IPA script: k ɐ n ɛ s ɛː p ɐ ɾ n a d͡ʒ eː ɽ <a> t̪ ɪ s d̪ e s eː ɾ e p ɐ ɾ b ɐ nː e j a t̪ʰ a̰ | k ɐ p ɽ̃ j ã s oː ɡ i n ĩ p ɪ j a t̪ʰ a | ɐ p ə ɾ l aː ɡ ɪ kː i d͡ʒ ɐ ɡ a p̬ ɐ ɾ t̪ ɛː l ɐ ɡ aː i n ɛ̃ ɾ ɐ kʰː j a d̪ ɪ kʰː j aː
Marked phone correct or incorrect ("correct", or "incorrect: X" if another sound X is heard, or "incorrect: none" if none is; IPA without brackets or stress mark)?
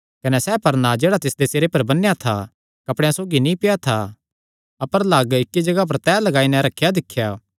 correct